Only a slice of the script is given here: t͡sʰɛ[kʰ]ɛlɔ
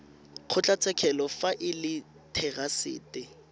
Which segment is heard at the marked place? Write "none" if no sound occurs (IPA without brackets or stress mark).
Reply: kʰ